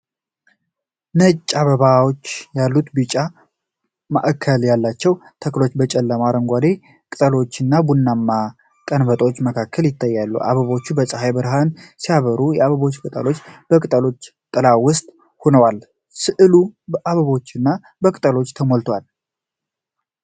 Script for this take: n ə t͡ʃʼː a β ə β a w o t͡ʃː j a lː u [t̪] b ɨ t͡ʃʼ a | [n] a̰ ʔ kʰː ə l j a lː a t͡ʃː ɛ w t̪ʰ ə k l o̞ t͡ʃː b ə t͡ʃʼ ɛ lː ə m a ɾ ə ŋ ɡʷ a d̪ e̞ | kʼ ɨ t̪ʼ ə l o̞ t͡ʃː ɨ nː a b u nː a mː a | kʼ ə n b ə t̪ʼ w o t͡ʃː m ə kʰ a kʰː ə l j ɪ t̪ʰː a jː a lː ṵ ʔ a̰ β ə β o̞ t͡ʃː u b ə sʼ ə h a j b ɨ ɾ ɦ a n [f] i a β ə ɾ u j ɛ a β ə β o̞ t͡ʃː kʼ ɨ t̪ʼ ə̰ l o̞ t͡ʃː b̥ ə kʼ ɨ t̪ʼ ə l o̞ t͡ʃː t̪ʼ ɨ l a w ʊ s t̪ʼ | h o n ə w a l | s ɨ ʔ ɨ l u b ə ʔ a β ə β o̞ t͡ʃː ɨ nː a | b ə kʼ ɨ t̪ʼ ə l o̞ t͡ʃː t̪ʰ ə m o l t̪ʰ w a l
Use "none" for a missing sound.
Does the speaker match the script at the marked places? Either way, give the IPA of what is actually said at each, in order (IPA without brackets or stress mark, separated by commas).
t̪, m, s